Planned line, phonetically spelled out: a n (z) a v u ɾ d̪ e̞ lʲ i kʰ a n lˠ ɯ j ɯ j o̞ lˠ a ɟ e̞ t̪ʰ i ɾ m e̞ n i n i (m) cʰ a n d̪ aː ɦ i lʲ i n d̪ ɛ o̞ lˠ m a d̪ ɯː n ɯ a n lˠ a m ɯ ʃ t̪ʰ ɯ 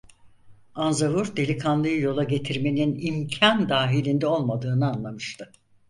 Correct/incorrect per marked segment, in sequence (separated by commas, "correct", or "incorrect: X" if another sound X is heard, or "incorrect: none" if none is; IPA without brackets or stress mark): correct, correct